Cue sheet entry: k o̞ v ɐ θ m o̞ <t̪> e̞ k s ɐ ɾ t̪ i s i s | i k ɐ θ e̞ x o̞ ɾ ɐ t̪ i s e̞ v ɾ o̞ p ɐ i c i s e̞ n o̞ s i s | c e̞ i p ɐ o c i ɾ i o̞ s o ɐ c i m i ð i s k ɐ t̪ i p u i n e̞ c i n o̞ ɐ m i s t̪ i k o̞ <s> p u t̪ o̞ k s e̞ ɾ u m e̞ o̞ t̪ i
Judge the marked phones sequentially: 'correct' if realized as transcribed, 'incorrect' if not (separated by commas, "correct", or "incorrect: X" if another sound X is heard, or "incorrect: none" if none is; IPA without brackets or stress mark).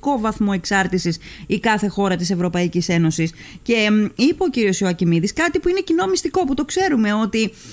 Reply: incorrect: none, incorrect: none